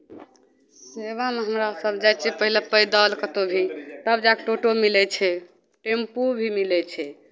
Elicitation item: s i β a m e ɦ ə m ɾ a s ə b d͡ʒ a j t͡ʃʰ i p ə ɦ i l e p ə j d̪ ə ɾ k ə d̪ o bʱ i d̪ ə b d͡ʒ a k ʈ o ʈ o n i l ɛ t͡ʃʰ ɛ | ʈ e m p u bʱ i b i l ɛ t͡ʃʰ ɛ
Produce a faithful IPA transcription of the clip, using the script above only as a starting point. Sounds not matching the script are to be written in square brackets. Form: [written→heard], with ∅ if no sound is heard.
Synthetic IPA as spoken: s [i→e] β a m e ɦ ə m ɾ a s ə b d͡ʒ a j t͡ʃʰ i p ə ɦ i l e p ə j d̪ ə [ɾ→l] k ə [d̪→t̪] o bʱ i [d̪→t̪] ə b d͡ʒ a k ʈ o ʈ o [n→m] i l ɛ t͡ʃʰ ɛ | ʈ e m p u bʱ i [b→m] i l ɛ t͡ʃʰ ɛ

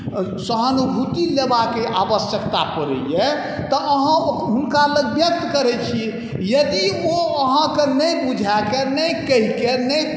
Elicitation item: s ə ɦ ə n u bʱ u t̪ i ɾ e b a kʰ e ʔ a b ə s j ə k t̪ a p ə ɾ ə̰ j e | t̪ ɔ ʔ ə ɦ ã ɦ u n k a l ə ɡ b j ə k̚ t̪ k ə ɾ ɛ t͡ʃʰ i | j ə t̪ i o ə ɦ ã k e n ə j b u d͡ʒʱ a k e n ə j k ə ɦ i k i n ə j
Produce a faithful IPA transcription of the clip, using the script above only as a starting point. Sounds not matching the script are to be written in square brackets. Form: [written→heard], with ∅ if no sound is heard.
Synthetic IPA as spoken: s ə ɦ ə n u bʱ u t̪ i [ɾ→l] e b a [kʰ→k] e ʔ a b ə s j ə k t̪ a p ə ɾ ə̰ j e | t̪ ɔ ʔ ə ɦ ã ɦ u n k a l ə ɡ b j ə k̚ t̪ k ə ɾ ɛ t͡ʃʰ i | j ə [t̪→d̪] i o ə ɦ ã k e n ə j b u d͡ʒʱ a k e n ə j k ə ɦ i k [i→e] n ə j

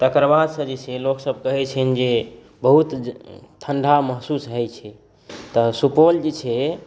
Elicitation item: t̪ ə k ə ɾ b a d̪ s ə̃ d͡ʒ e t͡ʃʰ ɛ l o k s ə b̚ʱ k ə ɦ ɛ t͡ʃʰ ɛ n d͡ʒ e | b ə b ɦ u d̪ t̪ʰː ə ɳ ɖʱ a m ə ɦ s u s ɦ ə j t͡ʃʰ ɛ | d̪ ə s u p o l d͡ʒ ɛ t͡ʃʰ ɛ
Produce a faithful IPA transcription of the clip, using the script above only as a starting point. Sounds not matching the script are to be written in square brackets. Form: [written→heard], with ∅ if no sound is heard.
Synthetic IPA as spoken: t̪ ə k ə ɾ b a d̪ s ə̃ d͡ʒ e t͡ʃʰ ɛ l o k s ə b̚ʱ k ə ɦ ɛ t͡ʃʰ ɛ n d͡ʒ e | b ə [b→∅] ɦ u [d̪→t̪] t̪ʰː ə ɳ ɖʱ a m ə ɦ s u s ɦ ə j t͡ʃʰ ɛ | [d̪→t̪] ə s u p o l d͡ʒ [ɛ→e] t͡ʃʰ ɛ

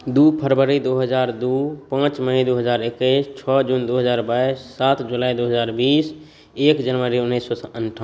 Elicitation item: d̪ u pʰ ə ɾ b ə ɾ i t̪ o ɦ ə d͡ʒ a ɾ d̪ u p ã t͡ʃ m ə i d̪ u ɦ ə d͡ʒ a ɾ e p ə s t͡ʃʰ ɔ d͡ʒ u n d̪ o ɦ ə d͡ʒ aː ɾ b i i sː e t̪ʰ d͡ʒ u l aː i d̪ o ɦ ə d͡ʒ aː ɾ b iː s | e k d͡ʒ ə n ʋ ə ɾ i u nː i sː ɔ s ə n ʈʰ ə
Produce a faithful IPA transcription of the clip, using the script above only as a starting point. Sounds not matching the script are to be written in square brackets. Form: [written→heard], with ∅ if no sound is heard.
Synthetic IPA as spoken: d̪ u pʰ ə ɾ b ə ɾ i [t̪→d̪] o ɦ ə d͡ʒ a ɾ d̪ u p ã t͡ʃ m ə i d̪ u ɦ ə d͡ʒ a ɾ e [p→k] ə s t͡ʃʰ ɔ d͡ʒ u n d̪ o ɦ ə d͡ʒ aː ɾ b [i→a] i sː [e→a] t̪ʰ d͡ʒ u l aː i d̪ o ɦ ə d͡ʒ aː ɾ b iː s | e k d͡ʒ ə n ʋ ə ɾ i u nː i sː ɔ s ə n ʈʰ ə

